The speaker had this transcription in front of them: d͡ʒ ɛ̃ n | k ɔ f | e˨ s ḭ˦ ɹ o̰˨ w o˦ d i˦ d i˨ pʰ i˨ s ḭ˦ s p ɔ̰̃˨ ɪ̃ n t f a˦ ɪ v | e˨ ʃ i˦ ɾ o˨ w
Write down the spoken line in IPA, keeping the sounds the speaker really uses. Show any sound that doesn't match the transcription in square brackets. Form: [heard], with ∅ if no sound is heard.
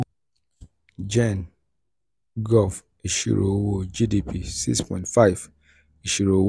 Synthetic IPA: d͡ʒ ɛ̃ n | [ɡ] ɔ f | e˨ [ʃ] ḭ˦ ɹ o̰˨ w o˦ [d͡ʒ] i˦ d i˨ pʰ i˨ s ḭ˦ s p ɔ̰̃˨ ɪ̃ n t f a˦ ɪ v | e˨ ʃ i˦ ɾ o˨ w